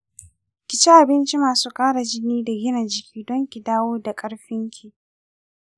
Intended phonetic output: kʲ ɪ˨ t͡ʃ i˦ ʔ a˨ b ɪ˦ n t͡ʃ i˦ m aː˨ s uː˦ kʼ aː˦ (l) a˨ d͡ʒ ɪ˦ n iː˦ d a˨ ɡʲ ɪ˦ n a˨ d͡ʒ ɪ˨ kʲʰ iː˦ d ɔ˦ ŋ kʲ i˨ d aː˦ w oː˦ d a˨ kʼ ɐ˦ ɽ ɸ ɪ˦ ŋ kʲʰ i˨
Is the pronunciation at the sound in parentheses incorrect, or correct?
incorrect